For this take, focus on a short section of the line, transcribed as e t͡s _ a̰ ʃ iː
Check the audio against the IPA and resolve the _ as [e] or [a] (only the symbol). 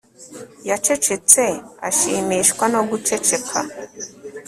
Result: e